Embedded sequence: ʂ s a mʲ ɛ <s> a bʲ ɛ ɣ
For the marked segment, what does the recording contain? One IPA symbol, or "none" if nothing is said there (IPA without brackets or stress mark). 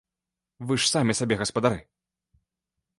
s